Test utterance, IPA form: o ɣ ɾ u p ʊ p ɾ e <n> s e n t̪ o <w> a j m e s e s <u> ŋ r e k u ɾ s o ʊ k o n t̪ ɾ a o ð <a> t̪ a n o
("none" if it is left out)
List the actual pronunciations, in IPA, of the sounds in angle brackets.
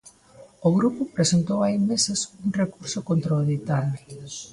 none, w, u, i

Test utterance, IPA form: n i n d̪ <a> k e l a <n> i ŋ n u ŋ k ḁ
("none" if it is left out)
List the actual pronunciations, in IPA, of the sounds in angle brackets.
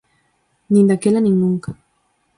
a, n

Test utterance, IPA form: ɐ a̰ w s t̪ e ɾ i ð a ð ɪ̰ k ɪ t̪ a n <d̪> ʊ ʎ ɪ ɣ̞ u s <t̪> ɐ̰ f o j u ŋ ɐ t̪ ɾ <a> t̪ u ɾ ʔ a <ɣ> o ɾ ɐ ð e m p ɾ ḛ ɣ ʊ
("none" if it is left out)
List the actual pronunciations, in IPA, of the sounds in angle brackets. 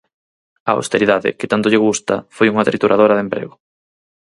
t̪, t̪, i, ð

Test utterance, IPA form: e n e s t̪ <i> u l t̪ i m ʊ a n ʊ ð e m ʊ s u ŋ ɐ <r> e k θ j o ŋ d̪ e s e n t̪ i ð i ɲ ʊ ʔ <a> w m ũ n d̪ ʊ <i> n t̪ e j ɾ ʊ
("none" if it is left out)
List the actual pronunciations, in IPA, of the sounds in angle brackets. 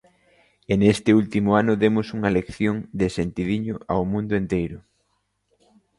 ɪ, l, a, e

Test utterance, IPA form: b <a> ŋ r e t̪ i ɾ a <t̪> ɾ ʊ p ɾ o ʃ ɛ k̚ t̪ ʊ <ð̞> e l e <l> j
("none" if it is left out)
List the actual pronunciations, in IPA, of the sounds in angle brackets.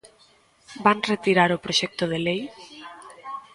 a, none, ð̞, none

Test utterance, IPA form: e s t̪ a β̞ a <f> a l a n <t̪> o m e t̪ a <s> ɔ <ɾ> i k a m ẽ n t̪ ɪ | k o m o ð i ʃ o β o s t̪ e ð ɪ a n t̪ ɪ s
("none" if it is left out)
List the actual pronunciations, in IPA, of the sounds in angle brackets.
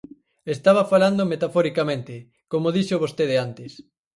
f, d̪, f, ɾ

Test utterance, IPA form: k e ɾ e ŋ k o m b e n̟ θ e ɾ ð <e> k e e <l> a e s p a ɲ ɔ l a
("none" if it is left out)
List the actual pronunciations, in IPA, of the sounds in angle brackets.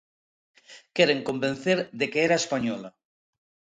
e, ɾ

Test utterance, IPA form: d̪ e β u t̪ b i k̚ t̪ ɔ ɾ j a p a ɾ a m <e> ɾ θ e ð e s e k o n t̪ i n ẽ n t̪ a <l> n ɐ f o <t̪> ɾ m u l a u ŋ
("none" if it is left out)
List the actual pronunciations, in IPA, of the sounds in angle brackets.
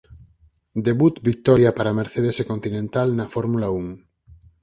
e, l, none

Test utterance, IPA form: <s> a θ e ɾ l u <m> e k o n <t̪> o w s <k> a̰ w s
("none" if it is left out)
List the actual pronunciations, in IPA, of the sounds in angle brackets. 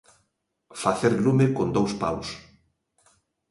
f, m, d̪, p

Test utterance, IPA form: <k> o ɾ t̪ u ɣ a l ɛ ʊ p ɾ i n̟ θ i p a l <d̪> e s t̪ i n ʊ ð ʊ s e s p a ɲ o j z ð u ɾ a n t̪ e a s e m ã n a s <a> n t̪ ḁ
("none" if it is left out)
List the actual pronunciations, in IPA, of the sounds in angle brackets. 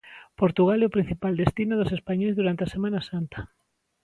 p, d̪, a

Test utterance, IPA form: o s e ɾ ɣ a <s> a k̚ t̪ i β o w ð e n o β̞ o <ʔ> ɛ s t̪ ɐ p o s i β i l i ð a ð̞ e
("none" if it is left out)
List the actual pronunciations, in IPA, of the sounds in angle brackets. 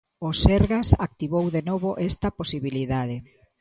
s, ʔ

